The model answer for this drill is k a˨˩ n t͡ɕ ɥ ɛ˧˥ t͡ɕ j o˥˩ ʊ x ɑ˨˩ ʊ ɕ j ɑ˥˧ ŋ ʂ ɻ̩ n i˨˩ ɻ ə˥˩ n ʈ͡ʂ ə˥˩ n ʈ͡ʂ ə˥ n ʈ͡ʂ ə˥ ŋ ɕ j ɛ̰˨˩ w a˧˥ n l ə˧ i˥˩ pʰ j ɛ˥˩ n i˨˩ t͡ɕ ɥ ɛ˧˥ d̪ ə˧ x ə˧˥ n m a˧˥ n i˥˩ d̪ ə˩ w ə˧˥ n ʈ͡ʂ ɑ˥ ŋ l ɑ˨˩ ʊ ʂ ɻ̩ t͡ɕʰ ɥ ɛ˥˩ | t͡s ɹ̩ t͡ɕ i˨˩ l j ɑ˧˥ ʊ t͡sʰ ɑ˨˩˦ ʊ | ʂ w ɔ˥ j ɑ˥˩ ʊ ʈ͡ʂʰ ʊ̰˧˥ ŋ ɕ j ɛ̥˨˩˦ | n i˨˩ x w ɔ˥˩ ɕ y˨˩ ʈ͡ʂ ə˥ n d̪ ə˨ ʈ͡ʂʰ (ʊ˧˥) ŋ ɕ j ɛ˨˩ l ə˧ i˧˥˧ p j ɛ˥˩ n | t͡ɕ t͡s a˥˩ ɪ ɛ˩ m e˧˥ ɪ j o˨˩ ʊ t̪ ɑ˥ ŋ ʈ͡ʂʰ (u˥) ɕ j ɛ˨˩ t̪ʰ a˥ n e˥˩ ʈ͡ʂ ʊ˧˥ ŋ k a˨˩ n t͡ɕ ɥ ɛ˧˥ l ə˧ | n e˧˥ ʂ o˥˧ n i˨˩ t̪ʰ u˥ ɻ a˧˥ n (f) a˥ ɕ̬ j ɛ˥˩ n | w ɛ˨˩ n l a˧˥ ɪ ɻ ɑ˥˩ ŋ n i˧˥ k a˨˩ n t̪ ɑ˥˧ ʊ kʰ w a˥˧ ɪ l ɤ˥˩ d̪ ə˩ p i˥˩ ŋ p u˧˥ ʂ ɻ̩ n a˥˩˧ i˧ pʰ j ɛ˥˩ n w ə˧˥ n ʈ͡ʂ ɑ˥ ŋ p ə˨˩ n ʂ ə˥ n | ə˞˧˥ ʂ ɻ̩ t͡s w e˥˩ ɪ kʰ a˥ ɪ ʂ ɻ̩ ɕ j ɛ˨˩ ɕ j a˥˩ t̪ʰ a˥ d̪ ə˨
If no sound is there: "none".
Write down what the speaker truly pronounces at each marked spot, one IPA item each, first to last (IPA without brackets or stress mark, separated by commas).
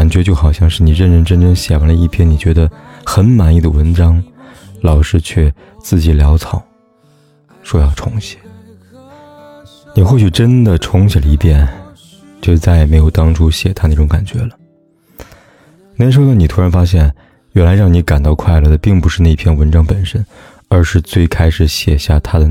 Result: ʊ˧˥, u˥, f